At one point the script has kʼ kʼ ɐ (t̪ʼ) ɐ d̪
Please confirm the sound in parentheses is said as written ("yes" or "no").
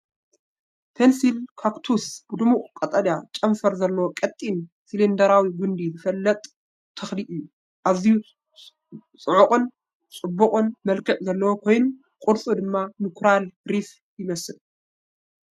yes